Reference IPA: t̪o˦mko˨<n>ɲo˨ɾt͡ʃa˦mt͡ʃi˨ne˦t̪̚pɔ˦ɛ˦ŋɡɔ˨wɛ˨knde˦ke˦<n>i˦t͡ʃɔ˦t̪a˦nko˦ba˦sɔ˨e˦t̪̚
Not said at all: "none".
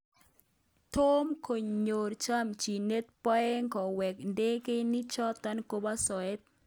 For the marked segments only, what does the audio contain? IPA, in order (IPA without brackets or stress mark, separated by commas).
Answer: ɲ, n